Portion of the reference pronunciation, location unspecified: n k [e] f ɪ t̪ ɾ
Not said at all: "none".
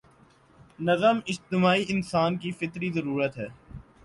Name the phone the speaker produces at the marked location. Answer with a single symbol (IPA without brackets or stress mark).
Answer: i